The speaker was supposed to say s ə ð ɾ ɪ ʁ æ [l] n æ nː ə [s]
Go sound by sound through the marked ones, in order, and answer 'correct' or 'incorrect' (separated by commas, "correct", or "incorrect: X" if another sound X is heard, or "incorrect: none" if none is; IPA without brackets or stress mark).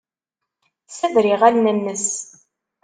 correct, correct